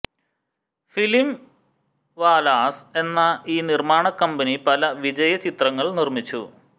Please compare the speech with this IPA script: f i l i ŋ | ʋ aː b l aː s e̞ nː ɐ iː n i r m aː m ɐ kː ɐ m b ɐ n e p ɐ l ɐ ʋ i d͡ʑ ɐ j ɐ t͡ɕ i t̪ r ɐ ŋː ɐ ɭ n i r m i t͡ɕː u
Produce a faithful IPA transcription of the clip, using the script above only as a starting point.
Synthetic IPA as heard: f i l i m | ʋ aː l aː s e̞ nː ɐ iː n i r m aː ɳ ɐ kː ɐ m b ɐ n i p ɐ l ɐ ʋ i d͡ʑ ɐ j ɐ t͡ɕ i t̪ r ɐ ŋː ɐ ɭ n i r m i t͡ɕː u